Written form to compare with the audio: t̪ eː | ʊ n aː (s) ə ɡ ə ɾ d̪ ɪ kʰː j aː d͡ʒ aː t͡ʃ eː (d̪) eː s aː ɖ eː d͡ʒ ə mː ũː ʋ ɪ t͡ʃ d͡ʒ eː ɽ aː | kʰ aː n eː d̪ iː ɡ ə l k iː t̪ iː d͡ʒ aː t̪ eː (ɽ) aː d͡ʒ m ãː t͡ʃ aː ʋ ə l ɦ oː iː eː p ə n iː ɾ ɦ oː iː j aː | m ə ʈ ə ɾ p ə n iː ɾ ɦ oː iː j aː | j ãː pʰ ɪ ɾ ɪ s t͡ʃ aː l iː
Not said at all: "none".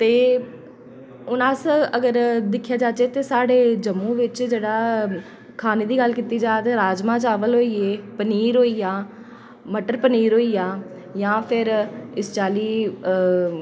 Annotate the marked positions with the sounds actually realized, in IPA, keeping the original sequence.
s, t̪, ɾ

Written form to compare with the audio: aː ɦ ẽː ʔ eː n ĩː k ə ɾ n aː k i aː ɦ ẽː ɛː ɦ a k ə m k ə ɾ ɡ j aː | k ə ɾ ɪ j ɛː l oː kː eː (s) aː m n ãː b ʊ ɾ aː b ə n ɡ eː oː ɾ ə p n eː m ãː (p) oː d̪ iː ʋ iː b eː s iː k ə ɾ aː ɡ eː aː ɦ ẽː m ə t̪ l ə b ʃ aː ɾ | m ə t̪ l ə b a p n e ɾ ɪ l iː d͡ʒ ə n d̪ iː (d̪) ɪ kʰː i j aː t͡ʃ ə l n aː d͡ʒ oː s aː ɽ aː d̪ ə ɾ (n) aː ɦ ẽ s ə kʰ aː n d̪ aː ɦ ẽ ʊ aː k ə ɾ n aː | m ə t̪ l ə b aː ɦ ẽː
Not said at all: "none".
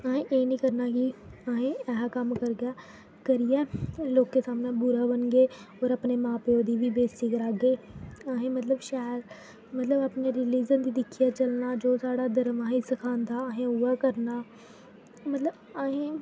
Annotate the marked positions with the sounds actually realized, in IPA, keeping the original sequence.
s, p, d̪, m

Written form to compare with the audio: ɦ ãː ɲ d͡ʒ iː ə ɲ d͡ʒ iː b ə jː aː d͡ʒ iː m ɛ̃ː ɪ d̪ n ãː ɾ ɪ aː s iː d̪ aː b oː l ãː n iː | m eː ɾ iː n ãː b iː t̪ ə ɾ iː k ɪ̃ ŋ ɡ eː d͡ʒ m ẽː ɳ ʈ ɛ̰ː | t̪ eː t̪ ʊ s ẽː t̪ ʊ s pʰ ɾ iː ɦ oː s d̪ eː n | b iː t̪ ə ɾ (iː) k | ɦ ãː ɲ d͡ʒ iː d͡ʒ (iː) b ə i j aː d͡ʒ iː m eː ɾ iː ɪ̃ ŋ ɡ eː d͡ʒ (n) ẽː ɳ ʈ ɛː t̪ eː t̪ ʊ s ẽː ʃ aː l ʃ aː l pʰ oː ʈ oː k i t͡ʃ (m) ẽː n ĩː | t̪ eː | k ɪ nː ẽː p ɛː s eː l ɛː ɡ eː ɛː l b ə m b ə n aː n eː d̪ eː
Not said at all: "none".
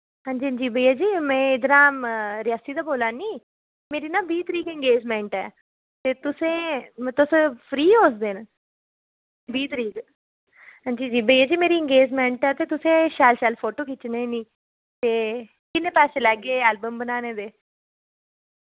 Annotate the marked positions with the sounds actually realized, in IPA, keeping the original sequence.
iː, iː, m, n

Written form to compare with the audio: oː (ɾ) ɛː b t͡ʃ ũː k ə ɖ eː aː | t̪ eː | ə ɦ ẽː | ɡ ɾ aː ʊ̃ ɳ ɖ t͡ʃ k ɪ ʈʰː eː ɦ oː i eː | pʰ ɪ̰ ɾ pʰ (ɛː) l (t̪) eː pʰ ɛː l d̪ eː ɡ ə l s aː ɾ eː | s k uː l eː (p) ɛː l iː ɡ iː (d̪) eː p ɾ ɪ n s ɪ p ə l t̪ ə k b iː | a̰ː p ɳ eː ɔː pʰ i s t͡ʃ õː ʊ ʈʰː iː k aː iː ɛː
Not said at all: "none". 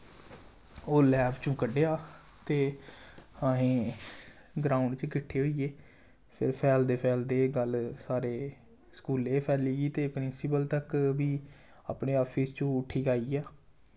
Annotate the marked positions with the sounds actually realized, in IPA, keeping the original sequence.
l, ɛː, d̪, pʰ, t̪

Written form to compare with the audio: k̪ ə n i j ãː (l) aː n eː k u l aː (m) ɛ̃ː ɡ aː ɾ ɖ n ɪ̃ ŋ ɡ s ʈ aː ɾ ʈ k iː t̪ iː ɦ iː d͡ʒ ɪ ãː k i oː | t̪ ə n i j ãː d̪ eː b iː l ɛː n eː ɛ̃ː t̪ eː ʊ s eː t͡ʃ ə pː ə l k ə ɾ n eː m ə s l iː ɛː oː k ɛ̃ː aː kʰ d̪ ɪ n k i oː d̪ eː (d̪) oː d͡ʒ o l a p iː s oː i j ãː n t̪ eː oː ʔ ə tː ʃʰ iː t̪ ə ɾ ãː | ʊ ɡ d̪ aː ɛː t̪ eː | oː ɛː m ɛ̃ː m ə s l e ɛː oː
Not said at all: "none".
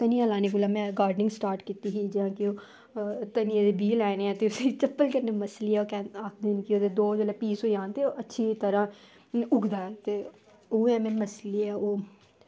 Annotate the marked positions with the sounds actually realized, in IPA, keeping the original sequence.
l, m, d̪

